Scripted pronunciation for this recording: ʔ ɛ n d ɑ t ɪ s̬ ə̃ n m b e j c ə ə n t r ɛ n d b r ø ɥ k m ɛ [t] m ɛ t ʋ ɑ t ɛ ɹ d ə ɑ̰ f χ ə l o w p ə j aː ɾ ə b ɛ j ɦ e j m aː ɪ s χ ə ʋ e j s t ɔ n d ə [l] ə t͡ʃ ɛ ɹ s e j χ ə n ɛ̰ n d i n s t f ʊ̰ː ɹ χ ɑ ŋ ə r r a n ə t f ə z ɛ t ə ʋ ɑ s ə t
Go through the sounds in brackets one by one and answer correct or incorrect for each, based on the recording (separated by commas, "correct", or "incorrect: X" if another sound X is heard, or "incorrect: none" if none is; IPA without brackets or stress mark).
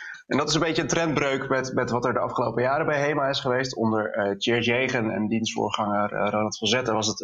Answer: correct, incorrect: ɹ